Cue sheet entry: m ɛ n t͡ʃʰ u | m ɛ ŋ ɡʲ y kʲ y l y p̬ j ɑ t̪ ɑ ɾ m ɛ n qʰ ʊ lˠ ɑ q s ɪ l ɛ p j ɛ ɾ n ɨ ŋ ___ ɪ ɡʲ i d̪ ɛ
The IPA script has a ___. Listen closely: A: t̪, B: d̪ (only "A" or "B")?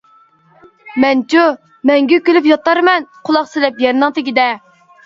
A